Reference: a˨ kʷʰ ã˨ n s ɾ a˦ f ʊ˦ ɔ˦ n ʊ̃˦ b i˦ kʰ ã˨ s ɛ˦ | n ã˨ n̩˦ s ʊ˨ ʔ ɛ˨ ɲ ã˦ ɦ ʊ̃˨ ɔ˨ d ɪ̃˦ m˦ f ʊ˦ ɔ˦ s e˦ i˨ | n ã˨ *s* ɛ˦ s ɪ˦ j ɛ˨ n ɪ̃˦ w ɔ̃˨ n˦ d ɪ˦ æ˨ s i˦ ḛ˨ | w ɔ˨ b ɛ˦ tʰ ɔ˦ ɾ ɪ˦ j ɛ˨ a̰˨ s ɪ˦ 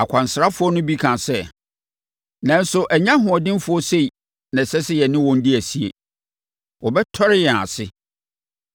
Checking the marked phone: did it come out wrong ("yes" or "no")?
no